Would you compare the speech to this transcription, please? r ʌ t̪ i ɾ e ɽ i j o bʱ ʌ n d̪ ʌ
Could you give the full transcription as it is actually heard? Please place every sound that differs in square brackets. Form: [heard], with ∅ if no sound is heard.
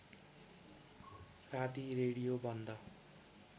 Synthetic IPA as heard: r [a] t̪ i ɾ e ɽ i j o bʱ ʌ n d̪ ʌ